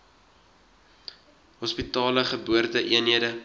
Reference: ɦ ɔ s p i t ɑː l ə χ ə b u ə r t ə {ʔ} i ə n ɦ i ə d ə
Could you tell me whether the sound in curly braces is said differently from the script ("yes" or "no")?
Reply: no